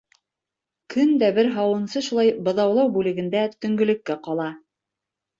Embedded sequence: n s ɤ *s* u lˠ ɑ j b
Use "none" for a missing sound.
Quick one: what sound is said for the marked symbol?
ʃ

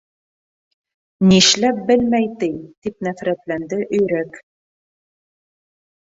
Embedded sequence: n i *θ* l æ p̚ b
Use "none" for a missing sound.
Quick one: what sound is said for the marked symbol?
ʃ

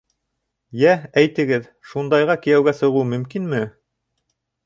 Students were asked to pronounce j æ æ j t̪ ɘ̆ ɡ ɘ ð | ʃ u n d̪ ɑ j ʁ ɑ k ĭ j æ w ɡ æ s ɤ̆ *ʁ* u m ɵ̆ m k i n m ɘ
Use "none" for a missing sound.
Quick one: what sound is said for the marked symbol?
ʁ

